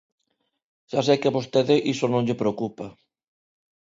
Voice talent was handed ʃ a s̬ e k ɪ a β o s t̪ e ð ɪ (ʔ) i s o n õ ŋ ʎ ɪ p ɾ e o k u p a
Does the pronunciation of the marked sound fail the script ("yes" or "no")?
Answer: no